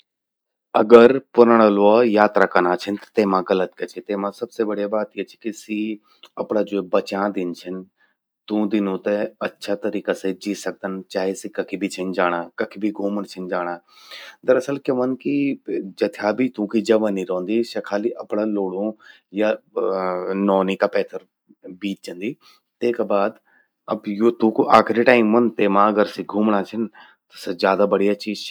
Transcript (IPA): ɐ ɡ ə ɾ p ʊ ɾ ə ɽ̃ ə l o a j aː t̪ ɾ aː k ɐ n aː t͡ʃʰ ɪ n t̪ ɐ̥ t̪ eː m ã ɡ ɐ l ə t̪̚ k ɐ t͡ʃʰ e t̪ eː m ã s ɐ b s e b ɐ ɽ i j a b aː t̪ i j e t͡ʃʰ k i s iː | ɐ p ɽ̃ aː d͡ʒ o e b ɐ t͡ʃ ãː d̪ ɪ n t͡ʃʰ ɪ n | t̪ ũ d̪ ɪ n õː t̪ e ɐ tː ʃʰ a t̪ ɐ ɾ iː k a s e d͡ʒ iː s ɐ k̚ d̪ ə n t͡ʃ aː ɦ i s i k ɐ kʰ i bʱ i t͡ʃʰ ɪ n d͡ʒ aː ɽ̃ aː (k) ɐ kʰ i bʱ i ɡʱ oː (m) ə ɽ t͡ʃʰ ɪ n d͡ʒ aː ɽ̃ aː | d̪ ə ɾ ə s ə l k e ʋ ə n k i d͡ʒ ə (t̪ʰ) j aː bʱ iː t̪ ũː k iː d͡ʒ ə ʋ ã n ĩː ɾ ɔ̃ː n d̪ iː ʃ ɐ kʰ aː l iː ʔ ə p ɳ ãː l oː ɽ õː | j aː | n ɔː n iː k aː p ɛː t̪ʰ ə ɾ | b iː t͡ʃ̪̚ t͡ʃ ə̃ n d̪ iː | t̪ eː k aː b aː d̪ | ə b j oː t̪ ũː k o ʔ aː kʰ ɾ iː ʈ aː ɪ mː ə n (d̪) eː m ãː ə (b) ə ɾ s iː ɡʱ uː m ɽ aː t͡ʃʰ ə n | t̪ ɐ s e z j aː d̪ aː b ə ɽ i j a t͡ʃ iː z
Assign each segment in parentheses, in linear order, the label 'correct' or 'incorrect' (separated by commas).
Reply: correct, correct, correct, incorrect, incorrect